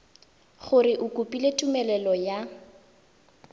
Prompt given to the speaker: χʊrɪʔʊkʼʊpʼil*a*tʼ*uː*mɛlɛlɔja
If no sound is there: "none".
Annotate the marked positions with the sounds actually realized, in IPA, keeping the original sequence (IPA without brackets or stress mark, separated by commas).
e, u